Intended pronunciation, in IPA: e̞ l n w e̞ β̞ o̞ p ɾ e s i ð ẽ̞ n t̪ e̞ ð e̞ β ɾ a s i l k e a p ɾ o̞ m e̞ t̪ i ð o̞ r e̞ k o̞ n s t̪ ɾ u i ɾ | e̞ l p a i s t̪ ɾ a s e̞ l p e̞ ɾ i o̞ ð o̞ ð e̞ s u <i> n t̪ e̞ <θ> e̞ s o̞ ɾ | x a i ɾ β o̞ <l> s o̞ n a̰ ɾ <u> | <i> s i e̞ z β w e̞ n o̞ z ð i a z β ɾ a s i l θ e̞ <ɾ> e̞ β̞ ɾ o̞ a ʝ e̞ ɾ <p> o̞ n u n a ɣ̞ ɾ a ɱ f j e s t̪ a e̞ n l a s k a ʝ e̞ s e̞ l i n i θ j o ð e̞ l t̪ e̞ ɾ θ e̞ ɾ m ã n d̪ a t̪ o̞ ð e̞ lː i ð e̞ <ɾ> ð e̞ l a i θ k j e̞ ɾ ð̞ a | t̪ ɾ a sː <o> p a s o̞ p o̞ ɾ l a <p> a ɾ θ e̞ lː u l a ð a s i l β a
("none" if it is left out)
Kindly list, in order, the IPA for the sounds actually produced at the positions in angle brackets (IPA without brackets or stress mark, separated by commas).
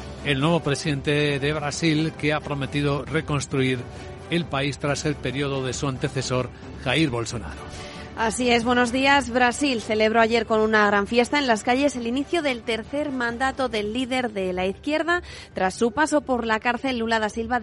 a, θ, l, o, a, l, k, ɾ, u, k